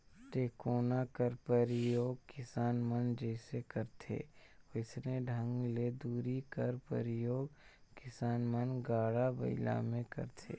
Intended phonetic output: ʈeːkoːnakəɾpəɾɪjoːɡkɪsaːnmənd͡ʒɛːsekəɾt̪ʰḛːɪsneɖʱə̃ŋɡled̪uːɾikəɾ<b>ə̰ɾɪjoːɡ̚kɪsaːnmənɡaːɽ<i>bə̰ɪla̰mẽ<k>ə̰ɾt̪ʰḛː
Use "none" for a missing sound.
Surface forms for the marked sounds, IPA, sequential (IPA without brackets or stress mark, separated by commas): p, a, k